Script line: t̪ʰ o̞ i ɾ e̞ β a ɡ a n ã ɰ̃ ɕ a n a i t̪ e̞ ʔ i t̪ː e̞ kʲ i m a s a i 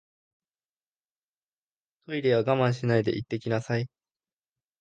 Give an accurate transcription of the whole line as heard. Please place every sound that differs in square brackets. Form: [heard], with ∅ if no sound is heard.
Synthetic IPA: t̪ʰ o̞ i ɾ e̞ β a ɡ a [m] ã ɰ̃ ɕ [i] n a i [d̪] e̞ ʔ i t̪ː e̞ kʲ i [n] a s a i